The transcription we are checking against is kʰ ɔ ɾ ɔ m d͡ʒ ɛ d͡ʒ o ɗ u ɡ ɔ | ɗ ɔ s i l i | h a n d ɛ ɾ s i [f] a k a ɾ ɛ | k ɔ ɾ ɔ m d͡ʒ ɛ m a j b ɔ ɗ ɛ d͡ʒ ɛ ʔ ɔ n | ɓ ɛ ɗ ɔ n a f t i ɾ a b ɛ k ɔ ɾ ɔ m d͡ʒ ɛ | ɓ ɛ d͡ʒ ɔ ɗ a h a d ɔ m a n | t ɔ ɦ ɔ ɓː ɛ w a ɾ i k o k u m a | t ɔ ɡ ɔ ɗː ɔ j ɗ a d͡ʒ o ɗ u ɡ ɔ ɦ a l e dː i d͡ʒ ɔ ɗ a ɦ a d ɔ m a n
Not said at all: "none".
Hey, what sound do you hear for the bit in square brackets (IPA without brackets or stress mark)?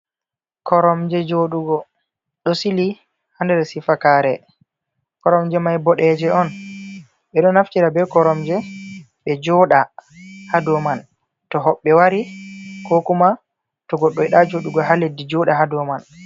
f